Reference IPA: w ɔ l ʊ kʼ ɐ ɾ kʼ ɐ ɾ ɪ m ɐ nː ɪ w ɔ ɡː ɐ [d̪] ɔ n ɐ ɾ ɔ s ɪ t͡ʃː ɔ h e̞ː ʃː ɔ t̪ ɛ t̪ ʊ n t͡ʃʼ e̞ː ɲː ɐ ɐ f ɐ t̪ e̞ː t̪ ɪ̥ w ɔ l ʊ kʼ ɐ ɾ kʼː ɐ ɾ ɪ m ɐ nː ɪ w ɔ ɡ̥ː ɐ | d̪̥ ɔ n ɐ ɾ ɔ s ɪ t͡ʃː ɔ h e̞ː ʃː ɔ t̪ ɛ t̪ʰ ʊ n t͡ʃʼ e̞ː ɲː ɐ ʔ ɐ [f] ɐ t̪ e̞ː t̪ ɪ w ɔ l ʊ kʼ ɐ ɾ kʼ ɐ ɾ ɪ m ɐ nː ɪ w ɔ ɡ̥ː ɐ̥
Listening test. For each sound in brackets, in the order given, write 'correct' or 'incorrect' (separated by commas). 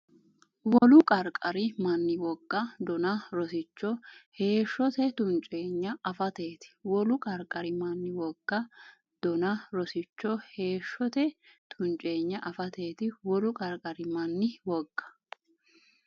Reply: correct, correct